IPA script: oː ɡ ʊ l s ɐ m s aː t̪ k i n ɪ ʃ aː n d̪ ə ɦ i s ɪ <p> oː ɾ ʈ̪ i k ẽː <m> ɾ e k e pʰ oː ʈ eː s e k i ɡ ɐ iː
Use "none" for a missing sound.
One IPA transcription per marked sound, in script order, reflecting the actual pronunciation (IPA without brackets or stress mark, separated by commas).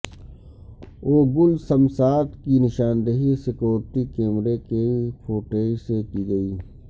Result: k, m